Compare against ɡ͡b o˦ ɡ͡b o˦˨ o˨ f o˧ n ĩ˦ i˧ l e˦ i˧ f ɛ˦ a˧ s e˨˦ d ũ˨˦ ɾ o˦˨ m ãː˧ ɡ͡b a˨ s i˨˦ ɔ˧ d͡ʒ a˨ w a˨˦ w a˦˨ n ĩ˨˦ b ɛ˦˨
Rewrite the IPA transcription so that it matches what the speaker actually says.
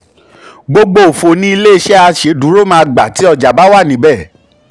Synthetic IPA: ɡ͡b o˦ ɡ͡b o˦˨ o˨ f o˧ n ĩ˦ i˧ l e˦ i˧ ʃ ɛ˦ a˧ ʃ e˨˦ d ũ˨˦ ɾ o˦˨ m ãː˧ ɡ͡b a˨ t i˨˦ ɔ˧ d͡ʒ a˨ b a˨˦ w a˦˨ n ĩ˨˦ b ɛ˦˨